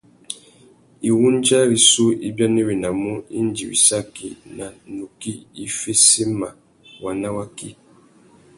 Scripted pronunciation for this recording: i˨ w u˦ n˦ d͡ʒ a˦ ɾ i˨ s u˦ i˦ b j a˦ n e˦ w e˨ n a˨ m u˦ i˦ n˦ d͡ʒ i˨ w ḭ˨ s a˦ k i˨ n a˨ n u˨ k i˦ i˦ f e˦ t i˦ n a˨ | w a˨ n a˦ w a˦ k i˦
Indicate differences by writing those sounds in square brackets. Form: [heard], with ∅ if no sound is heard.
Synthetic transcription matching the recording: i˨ w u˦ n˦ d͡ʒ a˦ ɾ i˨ s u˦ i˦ b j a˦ n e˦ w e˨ n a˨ m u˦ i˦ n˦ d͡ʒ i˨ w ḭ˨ s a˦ k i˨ n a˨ n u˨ k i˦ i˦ f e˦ [s] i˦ [m] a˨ | w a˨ n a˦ w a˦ k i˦